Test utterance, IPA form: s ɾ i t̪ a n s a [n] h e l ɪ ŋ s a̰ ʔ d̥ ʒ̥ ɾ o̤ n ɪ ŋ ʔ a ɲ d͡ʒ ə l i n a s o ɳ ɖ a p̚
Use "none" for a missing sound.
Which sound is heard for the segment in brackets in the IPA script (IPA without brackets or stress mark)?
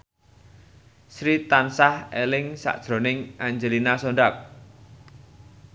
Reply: none